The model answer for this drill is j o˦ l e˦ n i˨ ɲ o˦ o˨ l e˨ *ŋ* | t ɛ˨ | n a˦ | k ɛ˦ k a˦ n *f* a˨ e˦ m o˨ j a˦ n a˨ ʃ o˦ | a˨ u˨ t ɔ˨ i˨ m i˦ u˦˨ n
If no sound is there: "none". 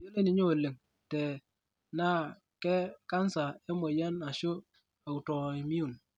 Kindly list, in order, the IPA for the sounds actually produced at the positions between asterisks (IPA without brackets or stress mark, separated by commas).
ŋ, s